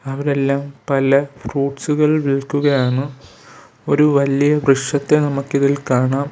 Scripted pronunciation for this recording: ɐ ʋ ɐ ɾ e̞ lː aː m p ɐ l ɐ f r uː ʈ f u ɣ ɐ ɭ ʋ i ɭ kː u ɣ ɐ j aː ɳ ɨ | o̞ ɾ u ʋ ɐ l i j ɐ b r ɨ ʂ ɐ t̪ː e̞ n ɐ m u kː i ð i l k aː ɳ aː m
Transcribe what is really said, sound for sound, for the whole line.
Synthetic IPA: ɐ ʋ ɐ ɾ e̞ lː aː m p ɐ l ɐ f r uː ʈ s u ɣ ɐ ɭ ʋ i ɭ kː u ɣ ɐ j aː ɳ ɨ | o̞ ɾ u ʋ ɐ l i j ɐ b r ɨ ʂ ɐ t̪ː e̞ n ɐ m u kː i ð i l k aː ɳ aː m